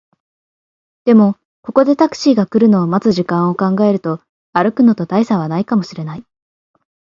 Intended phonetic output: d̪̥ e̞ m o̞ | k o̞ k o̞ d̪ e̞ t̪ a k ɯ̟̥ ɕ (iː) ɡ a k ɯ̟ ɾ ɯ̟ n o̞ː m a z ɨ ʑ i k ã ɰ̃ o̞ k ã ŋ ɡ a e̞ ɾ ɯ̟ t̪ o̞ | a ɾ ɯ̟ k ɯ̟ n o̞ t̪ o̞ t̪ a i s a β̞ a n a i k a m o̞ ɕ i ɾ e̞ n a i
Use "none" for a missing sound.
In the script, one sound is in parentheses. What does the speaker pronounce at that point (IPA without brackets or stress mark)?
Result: iː